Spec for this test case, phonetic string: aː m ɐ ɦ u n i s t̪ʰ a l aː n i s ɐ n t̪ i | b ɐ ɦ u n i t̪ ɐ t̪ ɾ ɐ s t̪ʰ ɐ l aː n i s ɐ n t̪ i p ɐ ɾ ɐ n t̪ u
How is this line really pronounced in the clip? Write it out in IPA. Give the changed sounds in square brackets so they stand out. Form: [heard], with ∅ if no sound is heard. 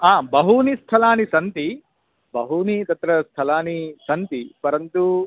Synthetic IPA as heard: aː [b] ɐ ɦ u n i s t̪ʰ [ɐ] l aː n i s ɐ n t̪ i | b ɐ ɦ u n i t̪ ɐ t̪ ɾ ɐ s t̪ʰ ɐ l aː n i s ɐ n t̪ i p ɐ ɾ ɐ n t̪ u